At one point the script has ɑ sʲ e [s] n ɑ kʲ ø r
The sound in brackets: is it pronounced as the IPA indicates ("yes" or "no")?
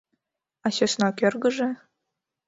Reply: yes